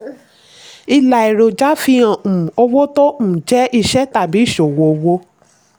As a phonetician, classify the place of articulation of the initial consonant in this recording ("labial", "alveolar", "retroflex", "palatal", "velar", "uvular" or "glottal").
alveolar